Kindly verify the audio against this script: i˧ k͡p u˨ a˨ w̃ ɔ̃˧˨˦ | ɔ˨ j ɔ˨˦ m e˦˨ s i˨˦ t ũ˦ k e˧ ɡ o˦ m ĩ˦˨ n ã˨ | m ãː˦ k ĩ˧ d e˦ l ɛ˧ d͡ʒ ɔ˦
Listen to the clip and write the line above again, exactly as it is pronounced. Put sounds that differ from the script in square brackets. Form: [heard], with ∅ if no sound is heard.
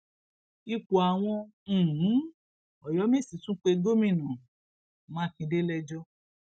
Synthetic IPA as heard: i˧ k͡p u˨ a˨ w̃ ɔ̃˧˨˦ | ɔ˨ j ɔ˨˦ m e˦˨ s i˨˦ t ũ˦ [k͡p] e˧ ɡ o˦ m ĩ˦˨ n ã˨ | m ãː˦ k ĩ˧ d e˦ l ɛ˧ d͡ʒ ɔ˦